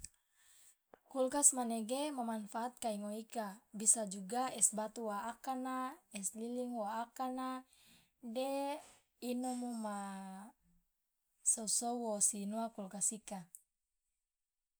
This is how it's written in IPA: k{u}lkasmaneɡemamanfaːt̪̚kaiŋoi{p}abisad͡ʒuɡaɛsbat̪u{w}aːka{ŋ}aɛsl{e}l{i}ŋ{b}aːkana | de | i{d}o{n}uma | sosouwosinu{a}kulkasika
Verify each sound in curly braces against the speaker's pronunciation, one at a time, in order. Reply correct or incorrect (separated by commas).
correct, incorrect, correct, incorrect, incorrect, correct, incorrect, incorrect, incorrect, correct